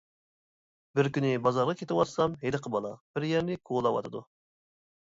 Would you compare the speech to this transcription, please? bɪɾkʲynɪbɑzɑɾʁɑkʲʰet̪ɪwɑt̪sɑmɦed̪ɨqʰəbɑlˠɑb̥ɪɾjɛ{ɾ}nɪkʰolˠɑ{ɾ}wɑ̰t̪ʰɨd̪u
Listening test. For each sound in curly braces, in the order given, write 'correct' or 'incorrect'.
correct, incorrect: none

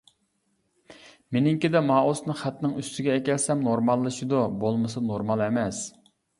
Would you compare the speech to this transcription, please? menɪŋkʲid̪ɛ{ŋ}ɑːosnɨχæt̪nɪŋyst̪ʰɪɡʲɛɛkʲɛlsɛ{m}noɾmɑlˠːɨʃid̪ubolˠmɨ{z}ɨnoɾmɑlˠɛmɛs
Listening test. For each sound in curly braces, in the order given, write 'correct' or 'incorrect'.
incorrect: m, correct, incorrect: s

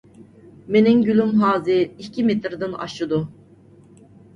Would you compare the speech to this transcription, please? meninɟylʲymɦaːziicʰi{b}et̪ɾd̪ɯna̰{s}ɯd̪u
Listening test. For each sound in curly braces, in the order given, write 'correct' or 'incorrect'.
incorrect: m, incorrect: ʃ

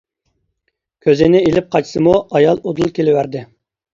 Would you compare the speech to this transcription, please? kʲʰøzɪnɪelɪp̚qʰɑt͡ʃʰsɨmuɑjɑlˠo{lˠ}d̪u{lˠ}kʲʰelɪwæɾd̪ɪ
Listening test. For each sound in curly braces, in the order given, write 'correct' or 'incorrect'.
incorrect: none, correct

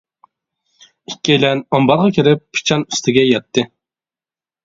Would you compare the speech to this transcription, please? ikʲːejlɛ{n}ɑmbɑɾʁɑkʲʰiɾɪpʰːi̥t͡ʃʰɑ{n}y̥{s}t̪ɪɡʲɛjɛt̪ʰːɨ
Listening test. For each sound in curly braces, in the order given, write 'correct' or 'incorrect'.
correct, correct, correct

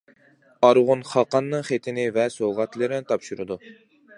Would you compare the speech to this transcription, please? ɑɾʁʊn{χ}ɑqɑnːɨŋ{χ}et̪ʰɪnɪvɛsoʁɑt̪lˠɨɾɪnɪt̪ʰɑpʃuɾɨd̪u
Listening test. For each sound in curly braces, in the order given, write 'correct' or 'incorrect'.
correct, correct

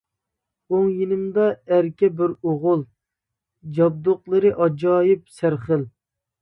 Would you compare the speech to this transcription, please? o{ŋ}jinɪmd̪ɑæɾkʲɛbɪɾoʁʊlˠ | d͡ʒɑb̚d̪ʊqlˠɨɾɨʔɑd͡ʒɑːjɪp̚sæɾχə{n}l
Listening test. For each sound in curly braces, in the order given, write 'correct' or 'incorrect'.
correct, incorrect: none

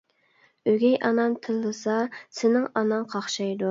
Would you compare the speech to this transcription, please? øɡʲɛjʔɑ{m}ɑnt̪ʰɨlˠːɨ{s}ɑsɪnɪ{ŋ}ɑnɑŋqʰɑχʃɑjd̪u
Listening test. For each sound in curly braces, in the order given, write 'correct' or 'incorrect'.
incorrect: n, correct, correct

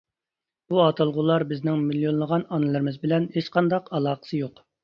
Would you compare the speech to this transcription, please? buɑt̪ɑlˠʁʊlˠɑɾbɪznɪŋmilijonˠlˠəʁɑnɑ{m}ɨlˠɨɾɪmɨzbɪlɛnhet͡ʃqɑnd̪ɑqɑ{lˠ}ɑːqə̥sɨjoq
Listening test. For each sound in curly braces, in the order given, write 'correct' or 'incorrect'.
incorrect: n, correct

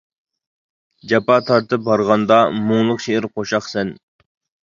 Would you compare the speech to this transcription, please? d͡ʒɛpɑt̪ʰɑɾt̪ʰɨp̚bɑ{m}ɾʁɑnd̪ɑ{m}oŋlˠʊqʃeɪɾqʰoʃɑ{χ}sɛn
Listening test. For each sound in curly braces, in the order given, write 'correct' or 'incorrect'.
incorrect: none, correct, correct

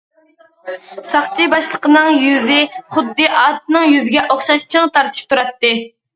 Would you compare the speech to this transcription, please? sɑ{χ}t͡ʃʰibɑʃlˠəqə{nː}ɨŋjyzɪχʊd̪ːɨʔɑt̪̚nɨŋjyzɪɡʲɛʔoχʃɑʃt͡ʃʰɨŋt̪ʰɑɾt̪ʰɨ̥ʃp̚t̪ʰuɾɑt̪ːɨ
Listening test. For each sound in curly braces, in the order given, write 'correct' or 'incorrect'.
correct, incorrect: n

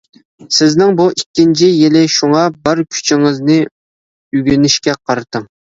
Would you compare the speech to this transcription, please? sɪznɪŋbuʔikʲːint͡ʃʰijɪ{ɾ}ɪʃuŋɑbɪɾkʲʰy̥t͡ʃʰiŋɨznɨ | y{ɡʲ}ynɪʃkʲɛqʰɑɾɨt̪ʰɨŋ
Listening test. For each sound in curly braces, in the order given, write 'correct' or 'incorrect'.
incorrect: l, correct

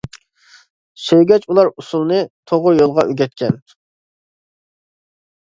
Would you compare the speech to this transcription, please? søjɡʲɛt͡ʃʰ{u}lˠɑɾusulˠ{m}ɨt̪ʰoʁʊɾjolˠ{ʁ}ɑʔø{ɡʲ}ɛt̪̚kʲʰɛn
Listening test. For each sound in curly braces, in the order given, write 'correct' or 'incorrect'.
correct, incorrect: n, correct, correct

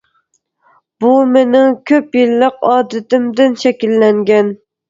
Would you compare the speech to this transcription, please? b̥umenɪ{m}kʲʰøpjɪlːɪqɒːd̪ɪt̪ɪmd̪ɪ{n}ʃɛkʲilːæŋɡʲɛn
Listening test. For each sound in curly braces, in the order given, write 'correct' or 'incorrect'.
incorrect: ŋ, correct

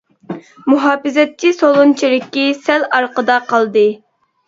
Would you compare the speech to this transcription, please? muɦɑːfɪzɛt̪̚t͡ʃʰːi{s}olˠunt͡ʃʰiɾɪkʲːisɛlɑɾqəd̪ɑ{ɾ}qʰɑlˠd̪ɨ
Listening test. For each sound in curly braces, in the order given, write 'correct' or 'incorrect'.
correct, incorrect: none

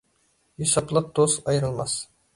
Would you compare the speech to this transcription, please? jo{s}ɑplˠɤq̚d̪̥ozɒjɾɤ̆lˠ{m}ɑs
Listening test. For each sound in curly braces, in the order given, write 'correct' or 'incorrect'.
correct, correct

